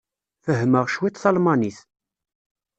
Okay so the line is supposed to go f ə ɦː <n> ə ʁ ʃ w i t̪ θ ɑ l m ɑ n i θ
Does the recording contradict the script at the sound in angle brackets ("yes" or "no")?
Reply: yes